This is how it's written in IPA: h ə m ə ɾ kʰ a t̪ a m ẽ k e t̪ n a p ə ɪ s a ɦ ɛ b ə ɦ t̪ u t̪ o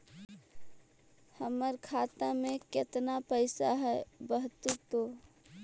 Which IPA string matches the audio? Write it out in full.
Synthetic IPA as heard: h ə m ə ɾ kʰ a t̪ a m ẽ k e t̪ n a p ə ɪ s a ɦ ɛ b ə ɦ t̪ u t̪ o